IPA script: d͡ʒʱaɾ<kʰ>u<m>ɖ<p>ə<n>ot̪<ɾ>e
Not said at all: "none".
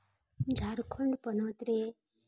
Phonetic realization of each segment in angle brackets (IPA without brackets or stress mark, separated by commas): kʰ, ɳ, p, n, ɾ